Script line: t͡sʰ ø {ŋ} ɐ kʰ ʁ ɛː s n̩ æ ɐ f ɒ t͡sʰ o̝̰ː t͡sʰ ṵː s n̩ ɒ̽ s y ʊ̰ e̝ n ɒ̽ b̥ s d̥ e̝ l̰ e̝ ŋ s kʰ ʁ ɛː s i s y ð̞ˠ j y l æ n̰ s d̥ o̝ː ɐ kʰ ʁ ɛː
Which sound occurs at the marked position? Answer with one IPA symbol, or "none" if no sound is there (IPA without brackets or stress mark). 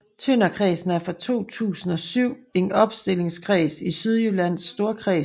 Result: n